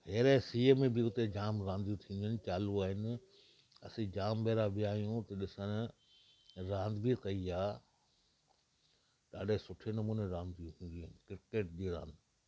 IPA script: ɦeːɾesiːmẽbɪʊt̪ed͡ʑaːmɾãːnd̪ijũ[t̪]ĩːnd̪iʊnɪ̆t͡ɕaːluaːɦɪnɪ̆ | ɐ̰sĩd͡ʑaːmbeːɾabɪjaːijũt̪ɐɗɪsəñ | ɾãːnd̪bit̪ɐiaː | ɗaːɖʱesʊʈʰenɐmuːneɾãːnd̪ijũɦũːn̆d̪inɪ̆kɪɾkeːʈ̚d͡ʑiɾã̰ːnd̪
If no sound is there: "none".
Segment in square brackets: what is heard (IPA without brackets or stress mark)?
t̪ʰ